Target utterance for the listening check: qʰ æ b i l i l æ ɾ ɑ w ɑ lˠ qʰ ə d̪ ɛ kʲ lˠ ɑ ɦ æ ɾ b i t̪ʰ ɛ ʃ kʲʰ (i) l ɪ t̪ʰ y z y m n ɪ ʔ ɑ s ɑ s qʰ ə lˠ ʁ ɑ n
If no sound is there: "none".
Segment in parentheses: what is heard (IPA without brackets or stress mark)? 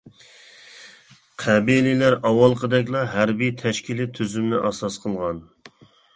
i